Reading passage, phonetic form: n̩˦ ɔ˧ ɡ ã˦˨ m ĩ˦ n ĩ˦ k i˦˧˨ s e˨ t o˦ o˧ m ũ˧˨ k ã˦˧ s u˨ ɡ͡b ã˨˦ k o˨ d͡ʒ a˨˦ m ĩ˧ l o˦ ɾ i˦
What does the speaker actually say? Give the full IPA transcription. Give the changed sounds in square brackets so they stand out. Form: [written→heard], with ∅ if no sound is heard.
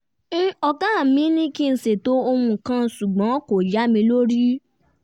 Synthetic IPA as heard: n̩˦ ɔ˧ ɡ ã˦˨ m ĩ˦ n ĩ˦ k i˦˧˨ s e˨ t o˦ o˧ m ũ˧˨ k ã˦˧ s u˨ ɡ͡b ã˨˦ k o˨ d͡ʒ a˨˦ m ĩ˧ l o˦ ɾ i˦